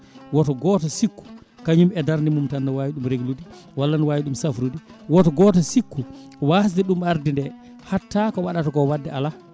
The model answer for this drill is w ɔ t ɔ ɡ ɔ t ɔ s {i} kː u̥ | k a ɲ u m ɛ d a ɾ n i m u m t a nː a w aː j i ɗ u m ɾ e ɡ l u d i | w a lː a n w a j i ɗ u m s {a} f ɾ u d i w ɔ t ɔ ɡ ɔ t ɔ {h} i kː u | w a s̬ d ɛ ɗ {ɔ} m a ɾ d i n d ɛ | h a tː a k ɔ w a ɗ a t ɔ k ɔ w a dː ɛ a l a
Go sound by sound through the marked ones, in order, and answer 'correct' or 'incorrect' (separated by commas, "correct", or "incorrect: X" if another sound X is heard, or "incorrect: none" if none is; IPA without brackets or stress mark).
correct, correct, incorrect: s, incorrect: u